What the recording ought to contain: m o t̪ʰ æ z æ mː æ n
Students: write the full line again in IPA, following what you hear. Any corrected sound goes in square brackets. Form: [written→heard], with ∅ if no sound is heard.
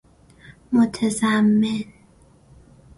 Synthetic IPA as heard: m o t̪ʰ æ z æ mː [æ→e] n